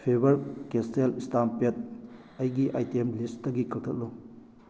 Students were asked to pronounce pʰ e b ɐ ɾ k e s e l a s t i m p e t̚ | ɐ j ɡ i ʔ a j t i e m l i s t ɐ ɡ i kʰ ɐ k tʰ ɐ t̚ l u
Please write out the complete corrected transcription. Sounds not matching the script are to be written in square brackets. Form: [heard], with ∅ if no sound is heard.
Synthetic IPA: pʰ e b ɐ ɾ k e s e l [i] s t [a] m p e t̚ | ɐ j ɡ i ʔ a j t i e m l i s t ɐ ɡ i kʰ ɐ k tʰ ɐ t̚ l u